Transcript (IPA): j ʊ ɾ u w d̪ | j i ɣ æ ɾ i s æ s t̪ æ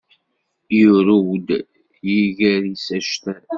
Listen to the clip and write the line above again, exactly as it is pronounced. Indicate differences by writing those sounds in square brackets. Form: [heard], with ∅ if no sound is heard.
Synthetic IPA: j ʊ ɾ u w d̪ | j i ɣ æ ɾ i s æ [ʃ] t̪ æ